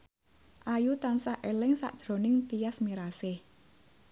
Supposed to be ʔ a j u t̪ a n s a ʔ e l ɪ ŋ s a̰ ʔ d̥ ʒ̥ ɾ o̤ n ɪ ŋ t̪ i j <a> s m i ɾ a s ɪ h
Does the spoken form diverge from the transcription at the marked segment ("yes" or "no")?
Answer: no